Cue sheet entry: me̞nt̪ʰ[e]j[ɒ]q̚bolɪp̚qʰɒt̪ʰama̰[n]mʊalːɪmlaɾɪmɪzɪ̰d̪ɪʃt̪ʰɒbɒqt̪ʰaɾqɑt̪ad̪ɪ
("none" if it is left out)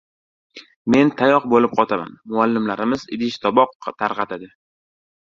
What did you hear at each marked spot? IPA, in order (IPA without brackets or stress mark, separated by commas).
a, ɒ, n